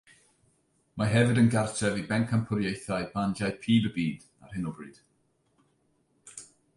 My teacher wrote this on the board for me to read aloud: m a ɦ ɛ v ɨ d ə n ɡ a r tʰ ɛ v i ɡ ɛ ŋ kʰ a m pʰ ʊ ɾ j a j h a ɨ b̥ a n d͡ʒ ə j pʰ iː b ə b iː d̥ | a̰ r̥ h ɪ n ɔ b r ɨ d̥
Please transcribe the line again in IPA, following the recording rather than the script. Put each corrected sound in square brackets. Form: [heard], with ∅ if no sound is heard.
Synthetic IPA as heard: m a ɦ ɛ v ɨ d ə n ɡ a r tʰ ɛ v i [b] ɛ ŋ kʰ a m pʰ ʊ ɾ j [e] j [θ] a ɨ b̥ a n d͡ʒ [a] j pʰ iː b ə b iː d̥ | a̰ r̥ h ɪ n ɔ b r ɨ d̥